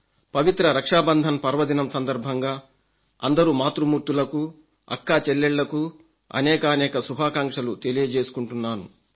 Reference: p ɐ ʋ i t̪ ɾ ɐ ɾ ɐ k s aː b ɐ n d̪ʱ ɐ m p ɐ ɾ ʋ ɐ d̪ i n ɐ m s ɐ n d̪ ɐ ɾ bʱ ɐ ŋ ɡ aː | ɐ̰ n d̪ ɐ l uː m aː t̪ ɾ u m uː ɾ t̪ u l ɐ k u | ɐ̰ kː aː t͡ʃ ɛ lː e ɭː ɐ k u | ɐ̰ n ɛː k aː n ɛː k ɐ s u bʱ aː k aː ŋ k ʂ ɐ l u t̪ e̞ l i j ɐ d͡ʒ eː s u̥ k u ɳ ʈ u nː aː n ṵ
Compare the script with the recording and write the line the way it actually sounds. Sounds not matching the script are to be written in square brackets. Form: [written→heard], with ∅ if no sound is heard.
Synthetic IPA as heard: p ɐ ʋ i t̪ ɾ ɐ ɾ ɐ k [s→ʂ] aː b ɐ n d̪ʱ ɐ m p ɐ ɾ ʋ ɐ d̪ i n ɐ m s ɐ n d̪ ɐ ɾ bʱ ɐ ŋ ɡ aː | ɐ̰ n d̪ ɐ [l→ɾ] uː m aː t̪ ɾ u m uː ɾ t̪ u l ɐ k u | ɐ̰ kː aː t͡ʃ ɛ lː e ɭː ɐ k u | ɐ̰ n ɛː k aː n ɛː k ɐ s u bʱ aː k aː ŋ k ʂ ɐ l u t̪ e̞ l i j ɐ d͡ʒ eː s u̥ k u ɳ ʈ u nː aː n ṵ